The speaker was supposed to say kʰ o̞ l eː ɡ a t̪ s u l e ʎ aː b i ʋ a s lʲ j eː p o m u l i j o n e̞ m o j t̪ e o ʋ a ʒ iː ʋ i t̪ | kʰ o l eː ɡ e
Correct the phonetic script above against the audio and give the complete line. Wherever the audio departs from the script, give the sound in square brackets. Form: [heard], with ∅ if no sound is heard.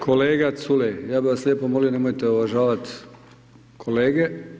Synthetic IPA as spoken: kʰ o̞ l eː ɡ a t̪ s u l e [j] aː b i ʋ a s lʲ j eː p o m [o] l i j o n e̞ m o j t̪ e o ʋ a ʒ [aː] ʋ [a] t̪ | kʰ o l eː ɡ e

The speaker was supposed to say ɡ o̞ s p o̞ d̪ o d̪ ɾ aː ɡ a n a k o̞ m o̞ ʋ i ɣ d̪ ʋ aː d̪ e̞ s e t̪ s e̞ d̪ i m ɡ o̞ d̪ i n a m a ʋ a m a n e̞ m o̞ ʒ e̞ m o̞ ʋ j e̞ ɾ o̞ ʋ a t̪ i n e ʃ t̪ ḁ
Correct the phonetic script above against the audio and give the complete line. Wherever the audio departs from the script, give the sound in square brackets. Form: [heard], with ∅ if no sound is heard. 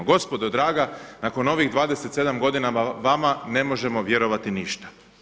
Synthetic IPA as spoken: ɡ o̞ s p o̞ d̪ o d̪ ɾ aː ɡ a n a k o̞ [n] o̞ ʋ i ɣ d̪ ʋ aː d̪ e̞ s e t̪ s e̞ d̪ [a] m ɡ o̞ d̪ i n a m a ʋ a m a n e̞ m o̞ ʒ e̞ m o̞ ʋ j e̞ ɾ o̞ ʋ a t̪ i n [i] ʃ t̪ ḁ

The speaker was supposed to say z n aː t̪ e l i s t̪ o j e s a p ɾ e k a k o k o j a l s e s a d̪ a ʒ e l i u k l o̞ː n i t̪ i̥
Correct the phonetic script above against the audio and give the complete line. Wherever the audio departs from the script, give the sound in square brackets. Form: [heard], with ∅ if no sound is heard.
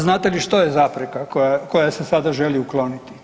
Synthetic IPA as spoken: z n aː t̪ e l i [ʃ] t̪ o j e [z] a p ɾ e k a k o k o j a [∅] s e s a d̪ a ʒ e l i u k l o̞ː n i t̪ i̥

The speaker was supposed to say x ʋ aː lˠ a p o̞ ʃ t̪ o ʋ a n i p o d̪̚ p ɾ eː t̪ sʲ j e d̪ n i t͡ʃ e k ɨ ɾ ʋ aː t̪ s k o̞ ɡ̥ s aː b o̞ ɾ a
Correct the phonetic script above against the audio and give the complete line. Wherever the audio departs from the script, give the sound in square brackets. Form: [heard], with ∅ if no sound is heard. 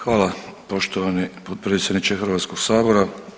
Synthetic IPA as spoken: x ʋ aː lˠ a p o̞ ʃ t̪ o ʋ a n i p o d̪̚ p ɾ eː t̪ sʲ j e d̪ n i t͡ʃ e [x] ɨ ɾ ʋ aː t̪ s k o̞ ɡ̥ s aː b o̞ ɾ a

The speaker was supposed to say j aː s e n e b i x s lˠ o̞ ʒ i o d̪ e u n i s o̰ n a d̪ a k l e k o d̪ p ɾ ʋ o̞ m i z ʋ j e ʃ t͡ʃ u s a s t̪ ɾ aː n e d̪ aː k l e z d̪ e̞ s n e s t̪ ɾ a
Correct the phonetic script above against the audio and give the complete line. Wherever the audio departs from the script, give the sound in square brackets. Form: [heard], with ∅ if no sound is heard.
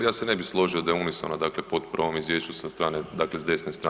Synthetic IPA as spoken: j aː s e n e b i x s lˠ o̞ ʒ i o d̪ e u n i s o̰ n a d̪ a k l e [p] o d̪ p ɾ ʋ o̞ m i z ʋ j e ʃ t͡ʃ u s a s t̪ ɾ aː n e d̪ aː k l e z d̪ e̞ s n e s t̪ ɾ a

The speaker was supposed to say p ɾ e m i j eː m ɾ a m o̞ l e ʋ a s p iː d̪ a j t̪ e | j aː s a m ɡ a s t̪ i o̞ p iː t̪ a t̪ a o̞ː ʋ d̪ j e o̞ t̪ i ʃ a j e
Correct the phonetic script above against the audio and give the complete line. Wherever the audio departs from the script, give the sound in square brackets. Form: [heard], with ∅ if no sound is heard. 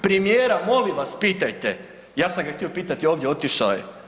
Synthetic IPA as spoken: p ɾ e m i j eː [∅] ɾ a m o̞ l [i] ʋ a s p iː [t̪] a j t̪ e | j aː s a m ɡ a [x] t̪ i o̞ p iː t̪ a t̪ [i] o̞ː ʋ d̪ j e o̞ t̪ i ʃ a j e

